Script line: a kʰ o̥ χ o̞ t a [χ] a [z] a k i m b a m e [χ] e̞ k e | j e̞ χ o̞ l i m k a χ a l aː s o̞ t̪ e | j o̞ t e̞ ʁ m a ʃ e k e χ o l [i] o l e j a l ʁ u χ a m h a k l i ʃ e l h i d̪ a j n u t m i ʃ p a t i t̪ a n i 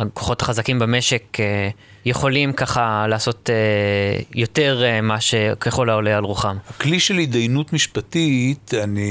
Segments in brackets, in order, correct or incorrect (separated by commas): correct, correct, incorrect, incorrect